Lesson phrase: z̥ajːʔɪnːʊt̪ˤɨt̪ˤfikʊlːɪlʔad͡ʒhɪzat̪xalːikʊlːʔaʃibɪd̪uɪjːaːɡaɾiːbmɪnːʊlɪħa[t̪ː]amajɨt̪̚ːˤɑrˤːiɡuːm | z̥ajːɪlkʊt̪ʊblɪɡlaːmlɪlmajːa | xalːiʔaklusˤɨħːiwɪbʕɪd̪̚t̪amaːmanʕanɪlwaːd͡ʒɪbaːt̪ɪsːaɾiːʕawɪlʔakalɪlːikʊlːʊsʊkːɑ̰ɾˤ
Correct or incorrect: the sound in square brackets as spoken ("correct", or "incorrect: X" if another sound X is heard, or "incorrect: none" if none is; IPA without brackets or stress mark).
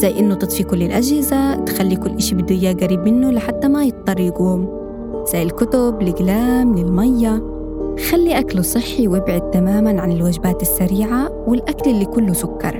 correct